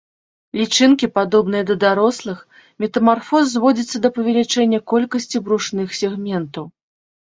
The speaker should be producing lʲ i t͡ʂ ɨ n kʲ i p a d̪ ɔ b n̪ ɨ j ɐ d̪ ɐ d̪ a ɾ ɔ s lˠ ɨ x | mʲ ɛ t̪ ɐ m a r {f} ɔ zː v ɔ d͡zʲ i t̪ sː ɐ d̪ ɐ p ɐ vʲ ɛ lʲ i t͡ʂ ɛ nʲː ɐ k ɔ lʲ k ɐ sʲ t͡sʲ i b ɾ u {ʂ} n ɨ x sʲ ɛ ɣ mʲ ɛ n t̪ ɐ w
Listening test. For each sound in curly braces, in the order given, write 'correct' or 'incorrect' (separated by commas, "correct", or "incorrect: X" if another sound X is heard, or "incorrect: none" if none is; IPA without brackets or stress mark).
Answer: correct, correct